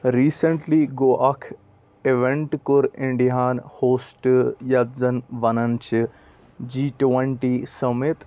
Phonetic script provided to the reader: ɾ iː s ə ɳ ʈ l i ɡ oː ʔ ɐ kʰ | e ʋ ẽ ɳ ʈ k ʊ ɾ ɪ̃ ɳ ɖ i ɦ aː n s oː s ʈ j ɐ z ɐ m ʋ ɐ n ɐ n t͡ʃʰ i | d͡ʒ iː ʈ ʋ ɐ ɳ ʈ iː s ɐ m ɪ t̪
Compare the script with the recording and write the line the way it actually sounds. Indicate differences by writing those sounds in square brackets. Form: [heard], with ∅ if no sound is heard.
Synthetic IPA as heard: ɾ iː s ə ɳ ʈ l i ɡ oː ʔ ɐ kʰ | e ʋ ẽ ɳ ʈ k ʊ ɾ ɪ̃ ɳ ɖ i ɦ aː n [h] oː s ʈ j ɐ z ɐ [n] ʋ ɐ n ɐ n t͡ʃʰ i | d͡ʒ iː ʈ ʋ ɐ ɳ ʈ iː s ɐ m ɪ t̪